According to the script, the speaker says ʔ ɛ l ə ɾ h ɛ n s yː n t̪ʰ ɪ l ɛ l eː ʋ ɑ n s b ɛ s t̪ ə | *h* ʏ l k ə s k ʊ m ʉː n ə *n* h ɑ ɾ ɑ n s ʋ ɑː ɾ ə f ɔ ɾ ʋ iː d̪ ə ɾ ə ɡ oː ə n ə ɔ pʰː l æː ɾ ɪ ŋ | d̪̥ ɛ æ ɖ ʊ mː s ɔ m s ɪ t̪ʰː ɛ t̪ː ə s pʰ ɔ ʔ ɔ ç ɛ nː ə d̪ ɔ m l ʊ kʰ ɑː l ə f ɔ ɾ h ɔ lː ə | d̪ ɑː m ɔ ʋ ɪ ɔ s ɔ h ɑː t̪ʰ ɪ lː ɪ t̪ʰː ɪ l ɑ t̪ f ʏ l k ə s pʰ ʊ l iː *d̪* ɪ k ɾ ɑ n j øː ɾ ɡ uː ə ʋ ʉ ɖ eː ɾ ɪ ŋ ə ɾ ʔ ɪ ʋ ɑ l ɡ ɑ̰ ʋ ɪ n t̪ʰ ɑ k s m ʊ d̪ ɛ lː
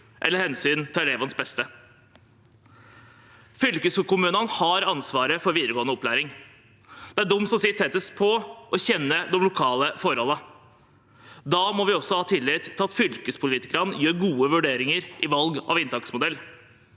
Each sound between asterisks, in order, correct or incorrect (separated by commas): incorrect, correct, incorrect